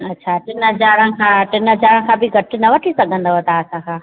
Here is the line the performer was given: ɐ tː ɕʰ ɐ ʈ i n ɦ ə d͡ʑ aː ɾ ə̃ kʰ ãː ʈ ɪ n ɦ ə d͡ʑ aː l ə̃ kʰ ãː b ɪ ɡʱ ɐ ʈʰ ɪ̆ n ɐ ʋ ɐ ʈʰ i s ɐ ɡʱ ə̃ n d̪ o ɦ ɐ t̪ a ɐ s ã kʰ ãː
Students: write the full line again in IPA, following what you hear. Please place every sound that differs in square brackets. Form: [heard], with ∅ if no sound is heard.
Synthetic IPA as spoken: ɐ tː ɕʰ [a] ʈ [ɪ] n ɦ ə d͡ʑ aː ɾ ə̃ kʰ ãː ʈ ɪ n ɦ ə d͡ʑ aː [ɾ] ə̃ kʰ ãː b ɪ ɡʱ ɐ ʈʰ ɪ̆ n ɐ ʋ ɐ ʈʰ i s ɐ ɡʱ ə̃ n d̪ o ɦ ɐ t̪ a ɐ s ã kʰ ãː